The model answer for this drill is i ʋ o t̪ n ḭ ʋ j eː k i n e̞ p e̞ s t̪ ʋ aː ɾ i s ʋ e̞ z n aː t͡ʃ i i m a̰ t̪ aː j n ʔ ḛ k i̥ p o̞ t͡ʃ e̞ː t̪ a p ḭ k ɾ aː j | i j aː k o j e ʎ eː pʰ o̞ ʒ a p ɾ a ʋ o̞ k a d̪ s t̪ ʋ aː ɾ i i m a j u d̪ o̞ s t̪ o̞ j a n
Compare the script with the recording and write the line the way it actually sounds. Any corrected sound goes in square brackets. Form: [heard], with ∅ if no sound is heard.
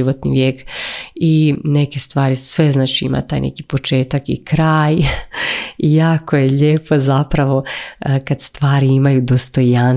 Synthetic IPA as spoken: i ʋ o t̪ n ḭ ʋ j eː k i n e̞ [k] e̞ s t̪ ʋ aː ɾ i s ʋ e̞ z n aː t͡ʃ i i m a̰ t̪ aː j n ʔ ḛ k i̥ p o̞ t͡ʃ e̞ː t̪ a [k] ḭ k ɾ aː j | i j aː k o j e ʎ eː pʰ o̞ [z] a p ɾ a ʋ o̞ k a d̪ s t̪ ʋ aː ɾ i i m a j u d̪ o̞ s t̪ o̞ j a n